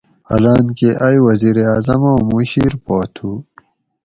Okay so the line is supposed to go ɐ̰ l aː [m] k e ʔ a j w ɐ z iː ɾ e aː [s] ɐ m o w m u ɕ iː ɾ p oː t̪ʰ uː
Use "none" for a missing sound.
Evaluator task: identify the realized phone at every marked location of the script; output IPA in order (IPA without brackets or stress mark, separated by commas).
n, z